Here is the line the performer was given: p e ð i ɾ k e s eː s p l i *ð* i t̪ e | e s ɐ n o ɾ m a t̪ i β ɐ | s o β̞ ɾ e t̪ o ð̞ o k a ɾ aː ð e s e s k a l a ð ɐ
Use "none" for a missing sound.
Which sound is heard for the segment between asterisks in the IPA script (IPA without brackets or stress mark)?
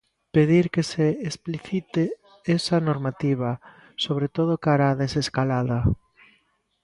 θ